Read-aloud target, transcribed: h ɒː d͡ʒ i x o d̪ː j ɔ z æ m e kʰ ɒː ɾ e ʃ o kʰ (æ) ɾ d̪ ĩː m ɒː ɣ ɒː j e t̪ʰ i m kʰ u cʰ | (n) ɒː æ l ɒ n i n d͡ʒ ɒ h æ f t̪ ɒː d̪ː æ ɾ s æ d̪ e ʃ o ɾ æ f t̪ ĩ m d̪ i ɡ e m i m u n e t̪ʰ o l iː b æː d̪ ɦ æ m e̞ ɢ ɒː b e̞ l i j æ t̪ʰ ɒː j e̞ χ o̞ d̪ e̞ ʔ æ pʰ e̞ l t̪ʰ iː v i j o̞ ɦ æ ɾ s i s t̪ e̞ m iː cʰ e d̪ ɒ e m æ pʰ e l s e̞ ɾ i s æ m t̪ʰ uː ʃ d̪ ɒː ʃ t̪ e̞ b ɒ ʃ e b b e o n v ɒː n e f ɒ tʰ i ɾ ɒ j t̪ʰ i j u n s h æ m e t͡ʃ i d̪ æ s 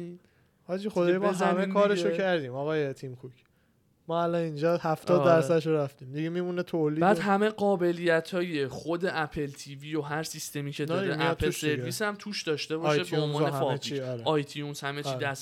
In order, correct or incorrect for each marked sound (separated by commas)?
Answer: correct, incorrect